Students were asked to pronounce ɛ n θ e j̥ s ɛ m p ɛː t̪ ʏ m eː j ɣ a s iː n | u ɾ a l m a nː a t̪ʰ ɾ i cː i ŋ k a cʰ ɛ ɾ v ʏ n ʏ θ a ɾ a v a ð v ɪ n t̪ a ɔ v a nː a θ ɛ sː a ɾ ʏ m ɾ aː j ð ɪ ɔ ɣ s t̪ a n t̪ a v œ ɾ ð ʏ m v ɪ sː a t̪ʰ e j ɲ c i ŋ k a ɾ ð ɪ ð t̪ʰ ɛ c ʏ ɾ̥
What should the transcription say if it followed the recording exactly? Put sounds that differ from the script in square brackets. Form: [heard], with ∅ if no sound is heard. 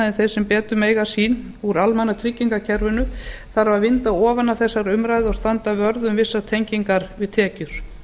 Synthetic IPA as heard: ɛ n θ e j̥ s ɛ m p ɛː t̪ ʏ m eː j ɣ a s iː n | u ɾ a l m a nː a t̪ʰ ɾ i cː i ŋ k a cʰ ɛ ɾ v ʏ n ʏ θ a ɾ a v a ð v ɪ n t̪ a [ɔː] v a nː a θ ɛ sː a ɾ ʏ m ɾ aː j ð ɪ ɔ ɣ s t̪ a n t̪ a v œ ɾ ð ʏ m v ɪ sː a t̪ʰ e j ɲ c i ŋ k a ɾ [v] ɪ ð t̪ʰ [ɛː] c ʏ ɾ̥

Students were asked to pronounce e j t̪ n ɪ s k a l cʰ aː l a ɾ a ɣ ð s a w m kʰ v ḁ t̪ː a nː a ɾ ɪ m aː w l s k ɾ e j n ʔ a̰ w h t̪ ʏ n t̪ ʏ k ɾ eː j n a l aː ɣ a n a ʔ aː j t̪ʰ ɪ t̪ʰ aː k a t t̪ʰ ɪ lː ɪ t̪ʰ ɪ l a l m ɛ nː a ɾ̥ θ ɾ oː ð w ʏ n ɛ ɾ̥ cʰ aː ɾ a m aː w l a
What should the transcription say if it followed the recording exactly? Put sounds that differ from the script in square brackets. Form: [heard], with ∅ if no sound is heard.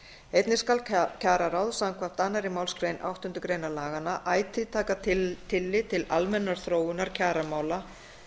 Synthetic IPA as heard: e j t̪ n ɪ s k a l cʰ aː [ɾ] a ɾ a [w] ð s a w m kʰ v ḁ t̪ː a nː a ɾ ɪ m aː w l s k ɾ e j n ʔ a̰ w h t̪ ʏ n t̪ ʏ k ɾ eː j n a l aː ɣ a n a ʔ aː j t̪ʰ ɪ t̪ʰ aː k a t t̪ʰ ɪ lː ɪ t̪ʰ ɪ l a l m ɛ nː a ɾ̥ θ ɾ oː [∅] w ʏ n [a] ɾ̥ cʰ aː ɾ a m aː w l a

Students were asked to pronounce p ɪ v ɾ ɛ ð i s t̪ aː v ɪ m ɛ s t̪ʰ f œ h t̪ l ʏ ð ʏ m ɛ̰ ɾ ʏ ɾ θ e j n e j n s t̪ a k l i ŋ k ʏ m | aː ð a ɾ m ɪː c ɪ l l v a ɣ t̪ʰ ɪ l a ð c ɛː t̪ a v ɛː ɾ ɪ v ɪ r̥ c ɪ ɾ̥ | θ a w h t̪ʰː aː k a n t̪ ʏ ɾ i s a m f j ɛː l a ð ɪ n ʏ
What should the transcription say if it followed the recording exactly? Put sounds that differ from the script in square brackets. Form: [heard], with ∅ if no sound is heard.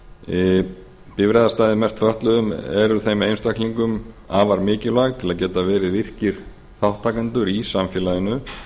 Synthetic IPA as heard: p ɪ v ɾ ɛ ð [a] s t̪ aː [ð] ɪ m ɛ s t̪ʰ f œ h t̪ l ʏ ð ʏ m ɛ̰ ɾ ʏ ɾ θ e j [m] e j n s t̪ a k l i ŋ k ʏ m | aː [v] a ɾ m ɪː c ɪ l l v a ɣ t̪ʰ ɪ l a ð c ɛː t̪ a v ɛː ɾ ɪ v ɪ r̥ c ɪ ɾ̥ | θ a w h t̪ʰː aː k a n t̪ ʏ ɾ i s a m f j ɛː l a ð ɪ n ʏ

